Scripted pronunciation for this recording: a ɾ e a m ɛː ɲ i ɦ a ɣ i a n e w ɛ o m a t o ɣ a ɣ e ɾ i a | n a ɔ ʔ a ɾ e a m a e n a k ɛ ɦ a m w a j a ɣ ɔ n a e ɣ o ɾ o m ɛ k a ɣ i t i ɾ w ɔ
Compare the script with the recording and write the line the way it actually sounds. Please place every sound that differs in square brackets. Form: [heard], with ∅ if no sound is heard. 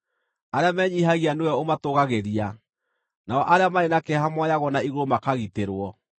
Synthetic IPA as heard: a ɾ e a m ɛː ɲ i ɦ a ɣ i a n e w ɛ o m a t o ɣ a ɣ e ɾ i a | n a ɔ ʔ a ɾ e a m a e n a k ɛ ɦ a m w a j a ɣ ɔ n a [i] ɣ o ɾ o m [a] k a ɣ i t [e] ɾ w ɔ

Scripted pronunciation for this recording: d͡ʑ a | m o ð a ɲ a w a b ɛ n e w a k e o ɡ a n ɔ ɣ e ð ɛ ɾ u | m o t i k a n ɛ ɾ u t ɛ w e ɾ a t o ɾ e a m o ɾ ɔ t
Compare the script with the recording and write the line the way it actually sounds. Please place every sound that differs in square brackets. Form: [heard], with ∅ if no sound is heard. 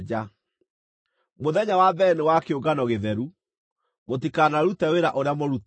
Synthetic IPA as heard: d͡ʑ a | m o ð [ɛ] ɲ a w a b ɛ n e w a k e o ɡ a n ɔ ɣ e ð ɛ ɾ u | m o t i k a n [a] ɾ u t ɛ w e ɾ a [ʔ] o ɾ e a m o ɾ [u] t

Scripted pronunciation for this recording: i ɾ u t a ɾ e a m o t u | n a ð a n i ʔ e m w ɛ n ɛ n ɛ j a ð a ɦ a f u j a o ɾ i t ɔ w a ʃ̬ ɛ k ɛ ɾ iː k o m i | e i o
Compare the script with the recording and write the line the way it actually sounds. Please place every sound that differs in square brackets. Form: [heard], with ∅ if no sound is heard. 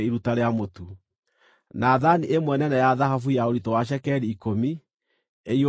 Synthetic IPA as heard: i ɾ u t a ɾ e a m o t u | n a ð a n i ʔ e m w ɛ n ɛ n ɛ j a ð a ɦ a f u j a o ɾ i t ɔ w a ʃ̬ ɛ k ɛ ɾ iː k o m i | e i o

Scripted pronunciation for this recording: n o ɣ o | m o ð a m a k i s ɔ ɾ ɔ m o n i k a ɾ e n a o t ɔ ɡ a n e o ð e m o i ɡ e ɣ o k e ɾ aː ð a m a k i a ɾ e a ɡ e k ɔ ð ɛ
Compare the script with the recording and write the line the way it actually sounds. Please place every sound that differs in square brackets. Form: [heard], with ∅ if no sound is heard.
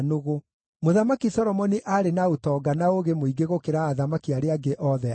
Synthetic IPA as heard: n o ɣ o | m o ð a m a k i s ɔ ɾ ɔ m [ɔ] n i [ʔ] a ɾ e n a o t ɔ ɡ a n [a] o [ɣ] e m o i ɡ e ɣ o k e ɾ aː ð a m a k i a ɾ e a ɡ e [ʔ] ɔ ð ɛ

